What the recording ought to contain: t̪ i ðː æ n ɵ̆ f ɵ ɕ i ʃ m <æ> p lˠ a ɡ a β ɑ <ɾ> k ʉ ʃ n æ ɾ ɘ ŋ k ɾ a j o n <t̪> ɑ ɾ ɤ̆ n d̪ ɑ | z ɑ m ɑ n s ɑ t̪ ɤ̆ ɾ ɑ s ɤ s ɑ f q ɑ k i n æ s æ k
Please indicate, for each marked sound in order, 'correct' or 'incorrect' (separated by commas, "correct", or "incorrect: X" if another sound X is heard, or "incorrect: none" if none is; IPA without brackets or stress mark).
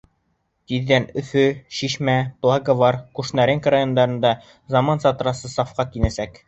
correct, correct, incorrect: d̪